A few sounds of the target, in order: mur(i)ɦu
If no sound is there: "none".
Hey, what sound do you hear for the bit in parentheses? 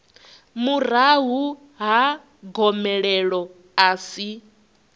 a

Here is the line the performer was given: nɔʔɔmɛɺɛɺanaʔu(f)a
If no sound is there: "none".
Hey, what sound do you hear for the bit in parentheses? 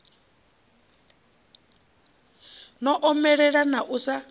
s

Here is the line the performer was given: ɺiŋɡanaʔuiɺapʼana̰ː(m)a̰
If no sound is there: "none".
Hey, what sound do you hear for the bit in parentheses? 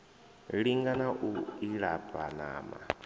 m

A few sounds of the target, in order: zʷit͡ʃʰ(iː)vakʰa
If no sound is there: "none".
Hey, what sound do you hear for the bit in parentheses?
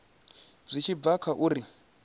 i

